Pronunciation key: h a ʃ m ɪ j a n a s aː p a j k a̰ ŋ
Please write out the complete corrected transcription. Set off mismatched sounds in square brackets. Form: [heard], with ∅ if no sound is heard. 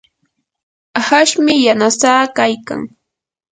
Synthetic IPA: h a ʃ m ɪ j a n a s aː [k] a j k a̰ ŋ